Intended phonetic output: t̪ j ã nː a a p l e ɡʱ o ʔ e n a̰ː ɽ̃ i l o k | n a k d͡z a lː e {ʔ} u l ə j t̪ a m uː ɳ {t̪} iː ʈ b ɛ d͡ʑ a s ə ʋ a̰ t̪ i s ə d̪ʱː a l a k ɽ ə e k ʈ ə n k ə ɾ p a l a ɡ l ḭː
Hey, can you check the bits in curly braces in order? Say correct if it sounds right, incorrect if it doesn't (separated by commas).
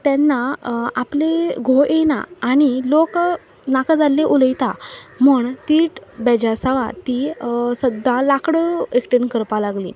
correct, correct